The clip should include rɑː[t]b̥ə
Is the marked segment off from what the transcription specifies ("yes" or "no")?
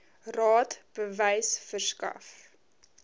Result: no